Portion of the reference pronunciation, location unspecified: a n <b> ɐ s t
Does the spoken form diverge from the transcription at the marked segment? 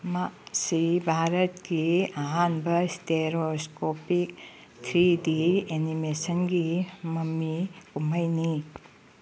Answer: no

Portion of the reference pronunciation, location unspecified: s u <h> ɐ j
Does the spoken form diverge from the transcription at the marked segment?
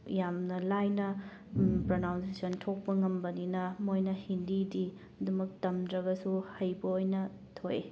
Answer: no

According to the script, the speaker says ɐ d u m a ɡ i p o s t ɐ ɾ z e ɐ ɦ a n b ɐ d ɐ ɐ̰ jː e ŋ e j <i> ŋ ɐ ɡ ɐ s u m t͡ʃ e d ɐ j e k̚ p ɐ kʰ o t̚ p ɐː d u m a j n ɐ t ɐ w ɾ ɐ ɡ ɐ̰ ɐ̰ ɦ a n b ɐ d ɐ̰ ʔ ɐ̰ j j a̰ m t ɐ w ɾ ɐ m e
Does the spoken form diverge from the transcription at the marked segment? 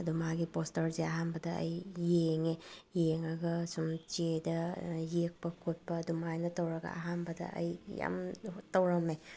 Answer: yes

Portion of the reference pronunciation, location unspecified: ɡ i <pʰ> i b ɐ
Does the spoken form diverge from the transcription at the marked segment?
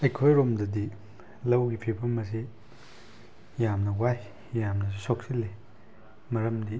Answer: no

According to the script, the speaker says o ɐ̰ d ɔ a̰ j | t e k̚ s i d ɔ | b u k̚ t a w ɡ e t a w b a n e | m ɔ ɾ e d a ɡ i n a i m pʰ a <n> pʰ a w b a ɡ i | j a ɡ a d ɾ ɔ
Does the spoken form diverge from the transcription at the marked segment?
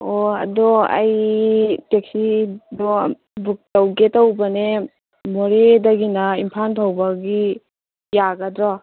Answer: no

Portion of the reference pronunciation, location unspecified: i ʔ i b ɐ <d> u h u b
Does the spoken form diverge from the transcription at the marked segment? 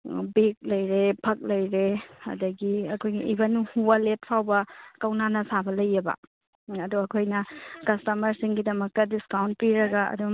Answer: yes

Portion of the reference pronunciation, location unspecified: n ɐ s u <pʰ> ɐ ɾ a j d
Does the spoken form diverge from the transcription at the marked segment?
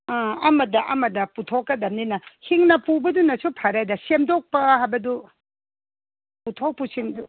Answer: no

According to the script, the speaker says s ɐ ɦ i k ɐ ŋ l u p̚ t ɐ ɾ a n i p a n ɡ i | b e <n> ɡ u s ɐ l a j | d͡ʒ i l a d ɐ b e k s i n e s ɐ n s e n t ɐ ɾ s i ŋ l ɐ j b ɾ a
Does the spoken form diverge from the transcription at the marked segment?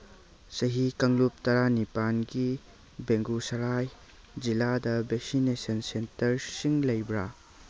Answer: yes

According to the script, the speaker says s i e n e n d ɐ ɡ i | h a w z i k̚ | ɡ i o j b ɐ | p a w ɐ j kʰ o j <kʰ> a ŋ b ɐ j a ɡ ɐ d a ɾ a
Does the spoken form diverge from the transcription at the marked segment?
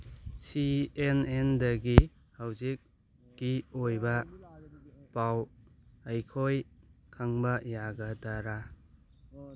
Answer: no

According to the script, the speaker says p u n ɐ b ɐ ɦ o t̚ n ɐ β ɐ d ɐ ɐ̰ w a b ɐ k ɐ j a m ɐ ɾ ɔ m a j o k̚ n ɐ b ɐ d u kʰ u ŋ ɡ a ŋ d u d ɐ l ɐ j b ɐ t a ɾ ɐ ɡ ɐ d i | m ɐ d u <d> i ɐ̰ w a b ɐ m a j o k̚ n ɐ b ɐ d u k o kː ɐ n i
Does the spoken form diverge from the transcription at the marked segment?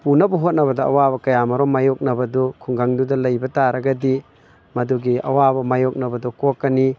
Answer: yes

